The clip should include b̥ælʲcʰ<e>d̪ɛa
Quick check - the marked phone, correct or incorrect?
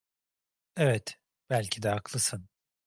incorrect